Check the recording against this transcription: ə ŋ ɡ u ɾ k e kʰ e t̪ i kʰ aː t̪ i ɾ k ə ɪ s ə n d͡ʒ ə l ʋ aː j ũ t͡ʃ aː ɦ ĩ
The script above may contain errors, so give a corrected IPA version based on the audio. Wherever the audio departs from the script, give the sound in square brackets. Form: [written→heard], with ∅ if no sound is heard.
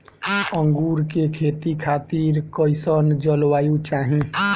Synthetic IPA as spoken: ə ŋ ɡ u ɾ k e kʰ e t̪ i kʰ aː t̪ i ɾ k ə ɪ s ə n d͡ʒ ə l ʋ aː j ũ t͡ʃ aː ɦ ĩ